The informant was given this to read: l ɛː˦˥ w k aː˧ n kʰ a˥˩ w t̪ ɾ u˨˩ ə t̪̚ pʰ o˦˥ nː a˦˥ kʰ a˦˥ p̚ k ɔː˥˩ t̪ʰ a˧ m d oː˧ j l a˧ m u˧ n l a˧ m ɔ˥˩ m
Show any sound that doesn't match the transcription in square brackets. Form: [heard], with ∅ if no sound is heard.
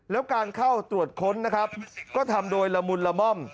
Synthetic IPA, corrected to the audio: l ɛː˦˥ w k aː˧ n kʰ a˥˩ w t̪ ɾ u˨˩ ə t̪̚ [kʰ] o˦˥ nː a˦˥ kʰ a˦˥ p̚ k ɔː˥˩ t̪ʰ a˧ m d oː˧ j l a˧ m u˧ n l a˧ m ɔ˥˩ m